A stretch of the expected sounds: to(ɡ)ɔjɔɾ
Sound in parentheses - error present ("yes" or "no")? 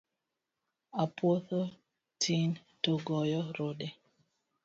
no